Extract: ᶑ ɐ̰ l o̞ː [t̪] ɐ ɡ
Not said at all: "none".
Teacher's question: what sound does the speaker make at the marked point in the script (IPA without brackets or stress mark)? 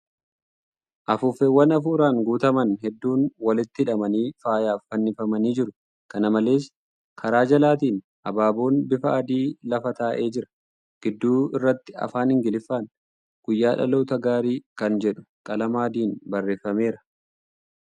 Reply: t̪